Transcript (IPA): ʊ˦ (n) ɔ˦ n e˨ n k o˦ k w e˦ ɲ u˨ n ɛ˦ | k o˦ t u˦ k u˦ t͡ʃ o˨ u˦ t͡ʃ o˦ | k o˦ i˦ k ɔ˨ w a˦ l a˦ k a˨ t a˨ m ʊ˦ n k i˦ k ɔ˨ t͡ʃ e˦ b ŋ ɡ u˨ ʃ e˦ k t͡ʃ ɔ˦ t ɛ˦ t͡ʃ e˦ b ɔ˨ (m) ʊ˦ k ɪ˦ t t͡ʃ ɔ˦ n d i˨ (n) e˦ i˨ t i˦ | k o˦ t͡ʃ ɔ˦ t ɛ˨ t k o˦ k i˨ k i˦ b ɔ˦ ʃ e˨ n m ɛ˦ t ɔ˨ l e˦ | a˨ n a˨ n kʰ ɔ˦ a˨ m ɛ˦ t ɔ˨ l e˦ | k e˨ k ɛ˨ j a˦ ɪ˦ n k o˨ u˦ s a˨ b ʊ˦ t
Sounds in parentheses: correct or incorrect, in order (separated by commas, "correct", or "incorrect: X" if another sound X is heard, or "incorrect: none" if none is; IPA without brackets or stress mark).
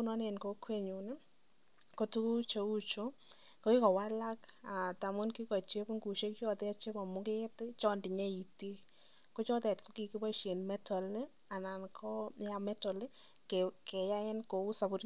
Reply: correct, correct, incorrect: ɲ